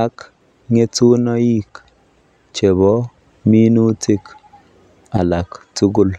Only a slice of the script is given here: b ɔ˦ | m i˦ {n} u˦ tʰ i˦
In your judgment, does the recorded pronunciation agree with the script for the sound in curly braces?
yes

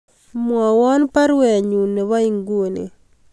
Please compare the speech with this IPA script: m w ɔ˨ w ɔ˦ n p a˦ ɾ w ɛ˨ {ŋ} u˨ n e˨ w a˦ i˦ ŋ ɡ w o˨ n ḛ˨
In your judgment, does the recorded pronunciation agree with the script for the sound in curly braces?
no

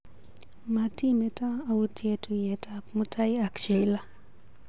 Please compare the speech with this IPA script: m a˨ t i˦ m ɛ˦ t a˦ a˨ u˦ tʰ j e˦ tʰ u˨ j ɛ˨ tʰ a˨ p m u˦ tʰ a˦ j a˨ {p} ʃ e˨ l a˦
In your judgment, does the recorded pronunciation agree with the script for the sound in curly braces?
no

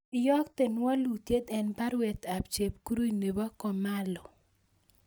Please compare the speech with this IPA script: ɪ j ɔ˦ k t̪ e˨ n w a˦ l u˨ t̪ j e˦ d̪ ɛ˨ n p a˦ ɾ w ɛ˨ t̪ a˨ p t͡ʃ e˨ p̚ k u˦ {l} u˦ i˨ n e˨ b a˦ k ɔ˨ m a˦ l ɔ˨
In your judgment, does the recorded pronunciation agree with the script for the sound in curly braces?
no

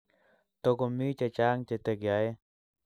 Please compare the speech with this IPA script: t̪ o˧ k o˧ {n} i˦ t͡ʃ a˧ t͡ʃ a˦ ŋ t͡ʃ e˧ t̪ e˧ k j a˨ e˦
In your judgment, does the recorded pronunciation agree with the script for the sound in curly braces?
no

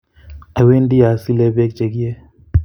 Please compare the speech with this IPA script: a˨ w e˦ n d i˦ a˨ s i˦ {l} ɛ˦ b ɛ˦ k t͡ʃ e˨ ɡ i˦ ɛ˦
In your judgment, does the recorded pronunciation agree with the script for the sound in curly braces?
yes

